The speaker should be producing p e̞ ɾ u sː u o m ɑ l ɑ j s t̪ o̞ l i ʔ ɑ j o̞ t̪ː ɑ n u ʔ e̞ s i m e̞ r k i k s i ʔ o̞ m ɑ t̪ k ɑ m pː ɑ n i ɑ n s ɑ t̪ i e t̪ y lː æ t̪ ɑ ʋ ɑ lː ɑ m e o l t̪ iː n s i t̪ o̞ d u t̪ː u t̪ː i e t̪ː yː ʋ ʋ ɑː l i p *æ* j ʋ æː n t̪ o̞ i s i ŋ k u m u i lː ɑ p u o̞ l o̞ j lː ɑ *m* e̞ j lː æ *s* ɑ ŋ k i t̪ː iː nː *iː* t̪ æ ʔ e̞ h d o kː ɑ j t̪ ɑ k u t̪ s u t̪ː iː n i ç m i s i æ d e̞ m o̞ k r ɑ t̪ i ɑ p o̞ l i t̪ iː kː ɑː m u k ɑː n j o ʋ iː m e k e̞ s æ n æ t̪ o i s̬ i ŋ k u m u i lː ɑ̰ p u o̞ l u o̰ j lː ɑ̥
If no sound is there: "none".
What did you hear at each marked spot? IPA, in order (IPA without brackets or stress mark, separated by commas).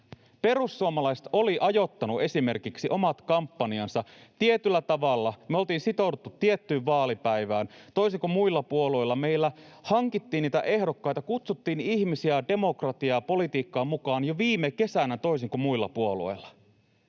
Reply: æ, m, h, iː